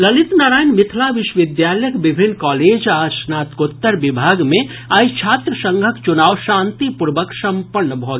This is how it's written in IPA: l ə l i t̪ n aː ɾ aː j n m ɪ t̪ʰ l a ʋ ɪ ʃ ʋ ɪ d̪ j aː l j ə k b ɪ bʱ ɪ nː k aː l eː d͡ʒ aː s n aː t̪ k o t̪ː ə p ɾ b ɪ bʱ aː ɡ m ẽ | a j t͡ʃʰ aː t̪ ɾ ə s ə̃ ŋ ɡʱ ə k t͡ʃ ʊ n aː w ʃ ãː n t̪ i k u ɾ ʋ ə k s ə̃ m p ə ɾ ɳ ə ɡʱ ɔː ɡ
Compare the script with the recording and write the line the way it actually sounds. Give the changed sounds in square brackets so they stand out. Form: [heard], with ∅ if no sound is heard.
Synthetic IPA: l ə l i t̪ n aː ɾ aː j n m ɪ t̪ʰ l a ʋ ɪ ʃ ʋ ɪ d̪ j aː l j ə k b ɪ bʱ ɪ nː k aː l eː d͡ʒ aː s n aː t̪ k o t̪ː ə [∅] ɾ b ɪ bʱ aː ɡ m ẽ | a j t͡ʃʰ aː t̪ ɾ ə s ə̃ ŋ ɡʱ ə k t͡ʃ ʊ n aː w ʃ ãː n t̪ i [p] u ɾ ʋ ə k s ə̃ m p ə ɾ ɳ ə [bʱ] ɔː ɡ